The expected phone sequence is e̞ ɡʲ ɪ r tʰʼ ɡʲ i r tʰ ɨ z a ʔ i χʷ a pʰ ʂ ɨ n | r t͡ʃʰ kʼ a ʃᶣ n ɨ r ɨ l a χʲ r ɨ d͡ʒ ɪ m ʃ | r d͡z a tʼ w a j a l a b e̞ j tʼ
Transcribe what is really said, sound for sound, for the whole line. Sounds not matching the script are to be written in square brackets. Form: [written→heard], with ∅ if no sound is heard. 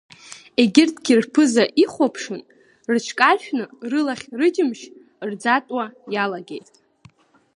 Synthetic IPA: e̞ ɡʲ ɪ r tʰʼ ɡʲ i r [tʰ→pʰ] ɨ z a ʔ i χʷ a pʰ ʂ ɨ n | r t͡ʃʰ kʼ a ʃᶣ n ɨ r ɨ l a χʲ r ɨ d͡ʒ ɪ m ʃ | r d͡z a tʼ w a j a l a [b→ɡ] e̞ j tʼ